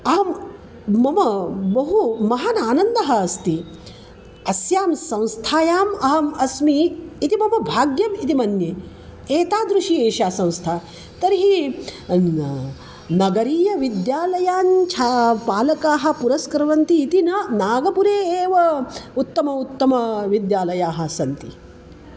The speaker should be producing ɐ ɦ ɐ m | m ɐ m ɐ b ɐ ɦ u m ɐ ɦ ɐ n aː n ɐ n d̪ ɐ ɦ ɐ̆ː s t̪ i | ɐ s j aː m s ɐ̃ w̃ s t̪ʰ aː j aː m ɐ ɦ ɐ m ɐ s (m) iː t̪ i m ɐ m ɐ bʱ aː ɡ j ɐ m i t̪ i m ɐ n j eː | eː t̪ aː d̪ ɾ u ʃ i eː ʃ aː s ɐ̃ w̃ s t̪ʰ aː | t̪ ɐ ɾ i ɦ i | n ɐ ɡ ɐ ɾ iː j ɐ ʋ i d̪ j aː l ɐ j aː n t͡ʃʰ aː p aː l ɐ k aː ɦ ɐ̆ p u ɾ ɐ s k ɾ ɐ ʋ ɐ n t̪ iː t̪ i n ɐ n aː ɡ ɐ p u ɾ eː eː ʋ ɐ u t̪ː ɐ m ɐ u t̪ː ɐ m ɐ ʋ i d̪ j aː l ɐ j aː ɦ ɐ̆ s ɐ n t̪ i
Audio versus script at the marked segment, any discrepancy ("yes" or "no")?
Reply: no